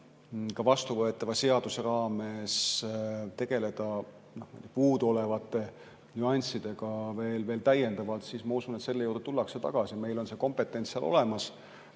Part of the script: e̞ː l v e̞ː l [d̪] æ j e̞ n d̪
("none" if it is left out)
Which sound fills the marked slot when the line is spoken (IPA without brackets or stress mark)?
t̪